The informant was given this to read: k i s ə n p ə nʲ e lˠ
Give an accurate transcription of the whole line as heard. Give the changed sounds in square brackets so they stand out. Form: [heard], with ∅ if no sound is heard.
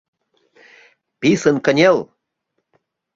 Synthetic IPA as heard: [p] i s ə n [k] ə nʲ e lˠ